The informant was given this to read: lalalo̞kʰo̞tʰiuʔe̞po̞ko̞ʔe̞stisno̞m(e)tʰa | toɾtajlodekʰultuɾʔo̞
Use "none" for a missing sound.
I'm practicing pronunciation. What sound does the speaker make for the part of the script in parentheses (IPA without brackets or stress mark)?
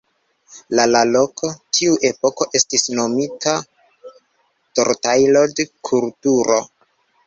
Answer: i